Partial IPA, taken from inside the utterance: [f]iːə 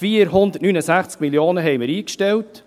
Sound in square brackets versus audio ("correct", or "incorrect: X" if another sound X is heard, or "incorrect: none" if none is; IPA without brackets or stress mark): correct